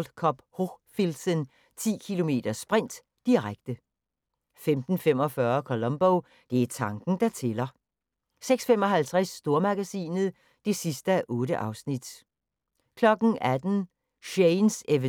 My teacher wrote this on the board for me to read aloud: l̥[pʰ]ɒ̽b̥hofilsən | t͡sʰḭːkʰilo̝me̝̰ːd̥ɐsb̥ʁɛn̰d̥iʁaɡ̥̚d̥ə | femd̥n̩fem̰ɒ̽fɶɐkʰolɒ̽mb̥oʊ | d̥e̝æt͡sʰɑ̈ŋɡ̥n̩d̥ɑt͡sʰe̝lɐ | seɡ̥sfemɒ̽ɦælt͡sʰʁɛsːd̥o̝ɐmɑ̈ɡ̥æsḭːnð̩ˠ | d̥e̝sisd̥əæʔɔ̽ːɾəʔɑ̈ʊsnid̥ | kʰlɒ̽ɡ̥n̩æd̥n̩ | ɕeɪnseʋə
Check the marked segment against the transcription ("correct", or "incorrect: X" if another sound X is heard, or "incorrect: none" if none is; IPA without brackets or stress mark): incorrect: kʰ